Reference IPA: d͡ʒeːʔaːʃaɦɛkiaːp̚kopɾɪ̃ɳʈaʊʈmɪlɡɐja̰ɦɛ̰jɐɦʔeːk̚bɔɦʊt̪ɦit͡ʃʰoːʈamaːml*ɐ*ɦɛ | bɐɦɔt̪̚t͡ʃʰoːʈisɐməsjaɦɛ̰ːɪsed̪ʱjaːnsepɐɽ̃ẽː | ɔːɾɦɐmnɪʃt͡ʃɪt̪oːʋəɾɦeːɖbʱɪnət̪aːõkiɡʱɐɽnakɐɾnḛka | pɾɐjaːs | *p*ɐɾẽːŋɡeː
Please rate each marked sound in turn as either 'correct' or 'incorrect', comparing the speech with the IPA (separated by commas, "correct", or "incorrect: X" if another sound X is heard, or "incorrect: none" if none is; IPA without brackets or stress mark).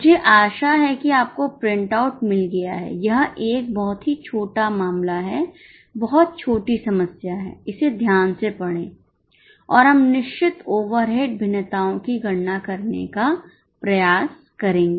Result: incorrect: a, incorrect: k